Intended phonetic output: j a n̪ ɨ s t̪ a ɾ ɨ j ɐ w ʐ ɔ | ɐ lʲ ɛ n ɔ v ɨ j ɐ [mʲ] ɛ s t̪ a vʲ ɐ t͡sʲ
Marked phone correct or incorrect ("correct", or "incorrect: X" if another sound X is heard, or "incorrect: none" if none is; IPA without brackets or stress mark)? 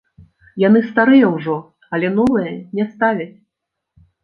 incorrect: nʲ